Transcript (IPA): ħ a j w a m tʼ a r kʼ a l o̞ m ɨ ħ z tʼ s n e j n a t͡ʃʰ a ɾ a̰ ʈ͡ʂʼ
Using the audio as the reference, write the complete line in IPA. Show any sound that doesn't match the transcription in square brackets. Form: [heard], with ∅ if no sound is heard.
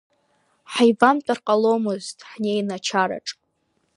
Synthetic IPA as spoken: ħ a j [v] a m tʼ a r [qʼ] a l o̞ m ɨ [∅] z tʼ [ħ] n e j n a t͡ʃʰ a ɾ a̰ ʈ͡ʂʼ